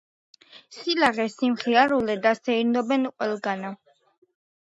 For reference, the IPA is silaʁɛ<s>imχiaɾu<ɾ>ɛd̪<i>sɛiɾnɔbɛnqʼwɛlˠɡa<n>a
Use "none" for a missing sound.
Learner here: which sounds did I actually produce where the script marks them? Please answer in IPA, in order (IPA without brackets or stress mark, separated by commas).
s, l, a, n